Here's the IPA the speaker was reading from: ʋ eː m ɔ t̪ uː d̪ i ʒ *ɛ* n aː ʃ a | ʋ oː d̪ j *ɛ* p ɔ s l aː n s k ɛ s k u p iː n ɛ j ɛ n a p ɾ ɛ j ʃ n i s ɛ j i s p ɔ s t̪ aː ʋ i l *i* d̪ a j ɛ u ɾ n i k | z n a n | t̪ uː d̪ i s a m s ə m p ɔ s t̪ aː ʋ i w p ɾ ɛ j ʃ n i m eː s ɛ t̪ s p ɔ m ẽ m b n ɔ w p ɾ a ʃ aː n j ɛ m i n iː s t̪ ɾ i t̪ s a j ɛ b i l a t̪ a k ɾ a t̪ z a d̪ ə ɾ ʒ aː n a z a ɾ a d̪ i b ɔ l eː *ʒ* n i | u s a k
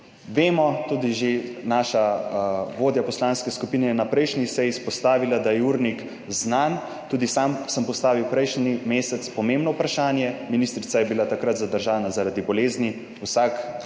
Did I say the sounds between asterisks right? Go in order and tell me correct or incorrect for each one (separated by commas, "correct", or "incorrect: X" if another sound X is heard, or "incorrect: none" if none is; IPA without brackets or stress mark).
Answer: incorrect: e, incorrect: a, incorrect: a, incorrect: z